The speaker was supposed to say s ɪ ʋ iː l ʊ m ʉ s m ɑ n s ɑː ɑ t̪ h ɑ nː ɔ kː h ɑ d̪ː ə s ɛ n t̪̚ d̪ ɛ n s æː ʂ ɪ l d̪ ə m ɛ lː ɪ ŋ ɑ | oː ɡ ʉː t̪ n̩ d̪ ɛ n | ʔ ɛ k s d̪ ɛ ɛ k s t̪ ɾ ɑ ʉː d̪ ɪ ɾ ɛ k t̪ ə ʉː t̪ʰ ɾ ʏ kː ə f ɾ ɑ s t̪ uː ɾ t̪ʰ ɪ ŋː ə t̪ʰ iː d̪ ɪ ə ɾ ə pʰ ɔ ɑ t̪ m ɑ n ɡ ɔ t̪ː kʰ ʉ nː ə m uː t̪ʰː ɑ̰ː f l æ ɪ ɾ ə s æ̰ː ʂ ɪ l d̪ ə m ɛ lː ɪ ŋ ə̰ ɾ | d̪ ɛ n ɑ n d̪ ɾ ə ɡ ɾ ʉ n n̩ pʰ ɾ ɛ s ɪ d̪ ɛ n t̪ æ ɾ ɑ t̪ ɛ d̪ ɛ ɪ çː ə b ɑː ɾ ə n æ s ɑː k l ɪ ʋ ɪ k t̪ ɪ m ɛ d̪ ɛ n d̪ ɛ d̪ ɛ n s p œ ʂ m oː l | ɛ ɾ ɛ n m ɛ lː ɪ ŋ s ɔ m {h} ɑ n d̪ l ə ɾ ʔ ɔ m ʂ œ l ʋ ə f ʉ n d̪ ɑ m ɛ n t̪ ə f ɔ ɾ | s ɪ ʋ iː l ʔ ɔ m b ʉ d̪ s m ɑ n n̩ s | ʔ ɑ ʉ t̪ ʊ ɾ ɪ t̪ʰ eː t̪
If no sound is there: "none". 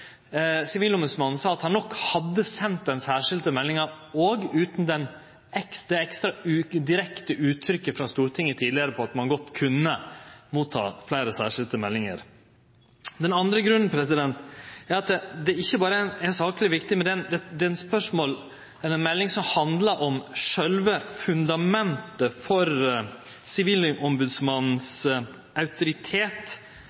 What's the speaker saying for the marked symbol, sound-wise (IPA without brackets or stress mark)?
h